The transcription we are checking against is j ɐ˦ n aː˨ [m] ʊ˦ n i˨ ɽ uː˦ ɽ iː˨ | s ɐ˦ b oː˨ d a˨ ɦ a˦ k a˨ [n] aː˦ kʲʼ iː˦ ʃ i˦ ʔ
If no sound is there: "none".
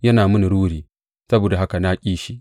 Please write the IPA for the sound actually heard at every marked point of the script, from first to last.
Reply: m, n

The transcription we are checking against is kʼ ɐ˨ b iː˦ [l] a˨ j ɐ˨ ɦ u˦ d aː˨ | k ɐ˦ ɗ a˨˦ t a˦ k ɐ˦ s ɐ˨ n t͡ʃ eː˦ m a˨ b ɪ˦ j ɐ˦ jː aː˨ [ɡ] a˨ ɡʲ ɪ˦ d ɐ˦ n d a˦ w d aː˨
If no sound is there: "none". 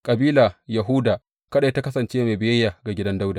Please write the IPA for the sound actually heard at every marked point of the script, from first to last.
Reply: l, ɡ

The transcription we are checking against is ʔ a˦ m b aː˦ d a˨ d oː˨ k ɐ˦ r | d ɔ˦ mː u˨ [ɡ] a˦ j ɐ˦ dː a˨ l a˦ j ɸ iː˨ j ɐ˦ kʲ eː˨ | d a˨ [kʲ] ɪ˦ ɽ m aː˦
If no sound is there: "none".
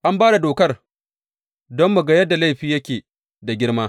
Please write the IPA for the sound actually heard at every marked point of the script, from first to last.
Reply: ɡ, ɡʲ

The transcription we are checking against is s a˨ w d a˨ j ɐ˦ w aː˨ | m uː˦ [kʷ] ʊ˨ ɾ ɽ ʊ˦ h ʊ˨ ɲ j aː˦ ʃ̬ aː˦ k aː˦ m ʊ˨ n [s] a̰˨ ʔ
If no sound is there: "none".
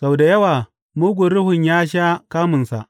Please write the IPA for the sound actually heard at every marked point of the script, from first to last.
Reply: ɡʷ, s

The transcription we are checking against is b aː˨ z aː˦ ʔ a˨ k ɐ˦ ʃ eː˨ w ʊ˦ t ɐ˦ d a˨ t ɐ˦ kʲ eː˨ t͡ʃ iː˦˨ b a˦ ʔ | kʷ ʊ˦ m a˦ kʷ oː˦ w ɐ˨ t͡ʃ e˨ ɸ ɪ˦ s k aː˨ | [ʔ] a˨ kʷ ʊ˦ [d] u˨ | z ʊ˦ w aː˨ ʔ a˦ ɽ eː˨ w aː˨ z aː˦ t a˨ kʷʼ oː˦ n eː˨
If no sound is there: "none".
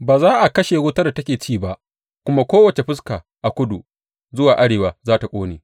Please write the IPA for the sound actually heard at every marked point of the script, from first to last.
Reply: ʔ, d

